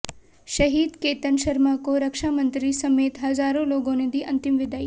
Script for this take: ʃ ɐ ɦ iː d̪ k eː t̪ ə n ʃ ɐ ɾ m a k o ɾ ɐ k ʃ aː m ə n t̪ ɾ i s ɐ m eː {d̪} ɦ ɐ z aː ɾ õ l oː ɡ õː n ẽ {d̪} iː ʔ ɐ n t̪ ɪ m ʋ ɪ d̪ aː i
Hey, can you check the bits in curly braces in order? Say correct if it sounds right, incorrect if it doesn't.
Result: incorrect: t̪, correct

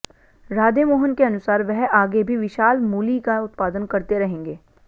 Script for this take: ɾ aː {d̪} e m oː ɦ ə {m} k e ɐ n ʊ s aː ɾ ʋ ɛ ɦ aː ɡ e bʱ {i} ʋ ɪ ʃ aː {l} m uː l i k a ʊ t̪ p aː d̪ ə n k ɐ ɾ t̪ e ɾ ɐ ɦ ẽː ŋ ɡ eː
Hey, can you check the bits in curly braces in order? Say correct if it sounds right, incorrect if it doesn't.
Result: correct, incorrect: n, correct, correct

